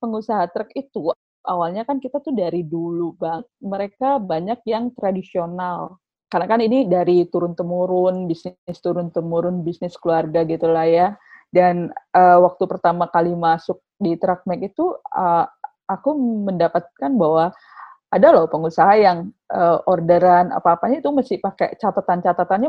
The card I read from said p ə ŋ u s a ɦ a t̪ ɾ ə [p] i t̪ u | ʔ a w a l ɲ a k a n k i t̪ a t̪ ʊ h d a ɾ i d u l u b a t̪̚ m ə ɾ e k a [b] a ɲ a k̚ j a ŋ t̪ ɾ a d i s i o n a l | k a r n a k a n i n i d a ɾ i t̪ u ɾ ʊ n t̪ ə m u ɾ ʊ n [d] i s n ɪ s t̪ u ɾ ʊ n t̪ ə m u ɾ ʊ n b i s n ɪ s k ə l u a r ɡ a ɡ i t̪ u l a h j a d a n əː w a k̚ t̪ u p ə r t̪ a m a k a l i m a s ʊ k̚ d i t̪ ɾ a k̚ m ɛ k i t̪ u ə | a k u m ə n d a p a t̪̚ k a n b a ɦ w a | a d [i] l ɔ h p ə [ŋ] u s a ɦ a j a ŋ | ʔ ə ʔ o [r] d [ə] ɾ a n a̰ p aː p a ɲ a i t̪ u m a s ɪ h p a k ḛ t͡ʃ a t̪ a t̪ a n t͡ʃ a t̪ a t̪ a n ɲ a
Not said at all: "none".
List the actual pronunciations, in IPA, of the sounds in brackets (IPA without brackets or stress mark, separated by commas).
k, b, b, a, ŋ, r, ə